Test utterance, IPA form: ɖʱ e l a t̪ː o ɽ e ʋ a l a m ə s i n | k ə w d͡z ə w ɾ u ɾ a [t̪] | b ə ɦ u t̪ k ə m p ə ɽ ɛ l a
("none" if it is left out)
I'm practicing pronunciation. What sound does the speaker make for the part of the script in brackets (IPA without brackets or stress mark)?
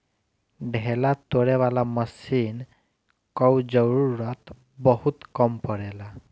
t̪